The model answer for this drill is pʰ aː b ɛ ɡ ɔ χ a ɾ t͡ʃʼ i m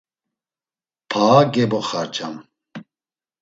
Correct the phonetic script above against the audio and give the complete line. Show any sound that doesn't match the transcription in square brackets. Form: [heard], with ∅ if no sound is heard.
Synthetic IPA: pʰ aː [ɡ] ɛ [b] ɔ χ a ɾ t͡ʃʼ [a] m